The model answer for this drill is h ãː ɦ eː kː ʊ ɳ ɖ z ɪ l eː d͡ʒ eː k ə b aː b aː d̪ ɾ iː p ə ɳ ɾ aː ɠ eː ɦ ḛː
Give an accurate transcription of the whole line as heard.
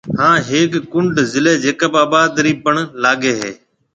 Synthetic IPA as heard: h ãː ɦ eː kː ʊ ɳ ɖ z ɪ l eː d͡ʒ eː k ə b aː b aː d̪ ɾ iː p ə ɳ l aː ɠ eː ɦ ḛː